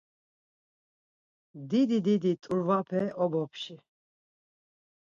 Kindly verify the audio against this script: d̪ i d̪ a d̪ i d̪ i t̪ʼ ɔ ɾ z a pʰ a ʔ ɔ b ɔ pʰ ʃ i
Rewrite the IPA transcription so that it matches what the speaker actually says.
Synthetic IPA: d̪ i d̪ i d̪ i d̪ i t̪ʼ u ɾ v a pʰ ɛ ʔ ɔ b ɔ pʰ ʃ i

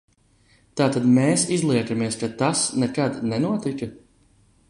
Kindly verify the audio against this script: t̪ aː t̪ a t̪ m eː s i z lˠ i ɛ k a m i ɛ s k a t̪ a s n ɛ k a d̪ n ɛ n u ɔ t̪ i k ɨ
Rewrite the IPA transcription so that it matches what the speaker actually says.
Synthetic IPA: t̪ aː t̪ a d̪ m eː s i z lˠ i ɛ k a m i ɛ s k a t̪ a s n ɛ k a d̪ n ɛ n u ɔ t̪ i k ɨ

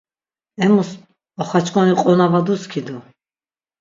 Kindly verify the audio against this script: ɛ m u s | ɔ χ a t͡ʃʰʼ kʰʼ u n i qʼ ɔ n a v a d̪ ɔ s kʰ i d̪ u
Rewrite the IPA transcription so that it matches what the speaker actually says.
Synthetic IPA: ɛ m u s | ɔ χ a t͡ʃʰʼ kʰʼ ɔ n i qʼ ɔ n a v a d̪ u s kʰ i d̪ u

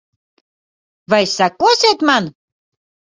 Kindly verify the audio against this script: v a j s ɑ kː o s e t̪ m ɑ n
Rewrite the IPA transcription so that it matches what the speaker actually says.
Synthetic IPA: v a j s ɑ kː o s e t̪ m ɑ n

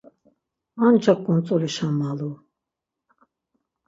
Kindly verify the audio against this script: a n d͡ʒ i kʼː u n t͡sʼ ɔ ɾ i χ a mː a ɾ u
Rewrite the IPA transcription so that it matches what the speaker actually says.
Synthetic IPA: a n d͡ʒ a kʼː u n t͡sʼ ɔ l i ʃ a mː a l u

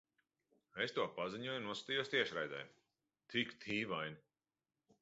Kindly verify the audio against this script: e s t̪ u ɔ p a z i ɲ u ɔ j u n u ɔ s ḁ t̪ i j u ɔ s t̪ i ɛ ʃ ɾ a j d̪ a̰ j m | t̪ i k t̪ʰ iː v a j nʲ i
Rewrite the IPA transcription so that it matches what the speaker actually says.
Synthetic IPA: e s t̪ u ɔ p a z i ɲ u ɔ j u n u ɔ s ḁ t̪ i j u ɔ s t̪ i ɛ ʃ ɾ a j d̪ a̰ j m | t̪ i k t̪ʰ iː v a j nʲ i

